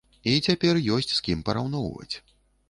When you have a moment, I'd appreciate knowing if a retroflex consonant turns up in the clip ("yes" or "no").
no